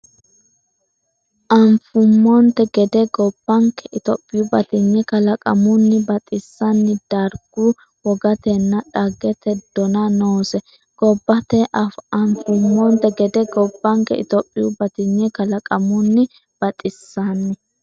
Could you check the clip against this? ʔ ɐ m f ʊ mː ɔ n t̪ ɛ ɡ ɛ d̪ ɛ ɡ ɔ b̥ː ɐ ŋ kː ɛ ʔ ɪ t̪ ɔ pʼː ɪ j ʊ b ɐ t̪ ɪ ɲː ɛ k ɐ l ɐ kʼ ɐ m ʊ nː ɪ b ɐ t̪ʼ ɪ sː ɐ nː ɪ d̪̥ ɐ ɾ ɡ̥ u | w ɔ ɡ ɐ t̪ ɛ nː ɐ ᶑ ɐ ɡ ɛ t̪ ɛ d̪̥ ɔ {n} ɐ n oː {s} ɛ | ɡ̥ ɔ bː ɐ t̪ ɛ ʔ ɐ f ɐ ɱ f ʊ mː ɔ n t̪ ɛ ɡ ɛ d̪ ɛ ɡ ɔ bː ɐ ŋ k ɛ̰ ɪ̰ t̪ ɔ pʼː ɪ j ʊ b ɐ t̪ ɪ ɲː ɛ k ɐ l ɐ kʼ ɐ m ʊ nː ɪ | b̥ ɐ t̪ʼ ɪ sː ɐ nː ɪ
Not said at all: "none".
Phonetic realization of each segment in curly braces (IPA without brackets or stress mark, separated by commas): n, s